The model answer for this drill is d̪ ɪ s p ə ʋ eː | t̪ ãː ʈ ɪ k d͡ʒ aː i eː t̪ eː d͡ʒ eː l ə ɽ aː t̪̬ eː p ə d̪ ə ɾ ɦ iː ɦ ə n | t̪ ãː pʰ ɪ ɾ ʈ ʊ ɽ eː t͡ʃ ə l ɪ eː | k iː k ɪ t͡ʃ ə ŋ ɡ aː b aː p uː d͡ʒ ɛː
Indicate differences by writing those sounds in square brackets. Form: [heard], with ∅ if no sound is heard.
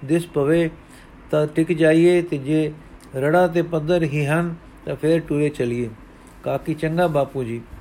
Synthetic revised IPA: d̪ ɪ s p ə ʋ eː | t̪ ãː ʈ ɪ k d͡ʒ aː i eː t̪ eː d͡ʒ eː [ɾ] ə ɽ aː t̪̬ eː p ə d̪ ə ɾ ɦ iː ɦ ə n | t̪ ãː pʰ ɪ ɾ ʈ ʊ [ɾ] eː t͡ʃ ə l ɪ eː | k [aː] k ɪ t͡ʃ ə ŋ ɡ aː b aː p uː d͡ʒ [iː]